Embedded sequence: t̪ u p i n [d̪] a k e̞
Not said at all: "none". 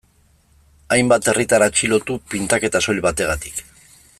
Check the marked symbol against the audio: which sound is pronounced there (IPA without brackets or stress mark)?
t̪